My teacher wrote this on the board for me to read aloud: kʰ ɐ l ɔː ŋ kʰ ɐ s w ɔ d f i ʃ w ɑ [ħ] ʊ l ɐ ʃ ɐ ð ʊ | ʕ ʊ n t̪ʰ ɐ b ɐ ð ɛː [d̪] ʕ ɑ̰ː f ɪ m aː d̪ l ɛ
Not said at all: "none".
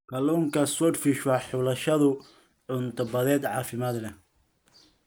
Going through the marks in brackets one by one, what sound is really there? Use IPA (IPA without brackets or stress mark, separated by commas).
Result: ħ, d̪